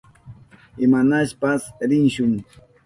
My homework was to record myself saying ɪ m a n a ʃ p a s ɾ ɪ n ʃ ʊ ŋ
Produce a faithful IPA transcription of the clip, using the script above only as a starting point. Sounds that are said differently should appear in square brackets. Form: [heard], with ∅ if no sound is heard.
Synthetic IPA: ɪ m a n a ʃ p a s ɾ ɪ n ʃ ʊ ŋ

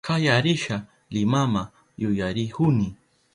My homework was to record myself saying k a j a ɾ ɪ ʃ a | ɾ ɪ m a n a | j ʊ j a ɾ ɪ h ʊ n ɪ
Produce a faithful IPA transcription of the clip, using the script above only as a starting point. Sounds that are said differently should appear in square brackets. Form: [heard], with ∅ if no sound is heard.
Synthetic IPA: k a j a ɾ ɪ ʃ a | [l] ɪ m a [m] a | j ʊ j a ɾ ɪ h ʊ n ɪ

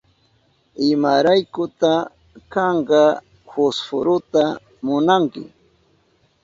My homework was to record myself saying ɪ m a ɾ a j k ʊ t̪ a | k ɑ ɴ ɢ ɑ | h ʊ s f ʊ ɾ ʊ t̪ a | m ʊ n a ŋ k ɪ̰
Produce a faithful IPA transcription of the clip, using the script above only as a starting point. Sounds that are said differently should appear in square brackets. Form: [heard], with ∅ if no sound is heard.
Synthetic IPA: ɪ m a ɾ a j k ʊ t̪ a | k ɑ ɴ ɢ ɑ | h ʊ s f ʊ ɾ ʊ t̪ a | m ʊ n a ŋ k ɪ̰

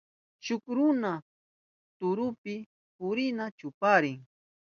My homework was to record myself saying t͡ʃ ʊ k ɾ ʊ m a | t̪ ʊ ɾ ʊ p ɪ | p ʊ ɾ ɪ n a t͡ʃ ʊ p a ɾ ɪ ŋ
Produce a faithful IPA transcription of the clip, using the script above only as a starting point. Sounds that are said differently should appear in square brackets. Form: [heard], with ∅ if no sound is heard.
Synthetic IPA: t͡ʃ ʊ k ɾ ʊ [n] a | t̪ ʊ ɾ ʊ p ɪ | p ʊ ɾ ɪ n a t͡ʃ ʊ p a ɾ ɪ ŋ

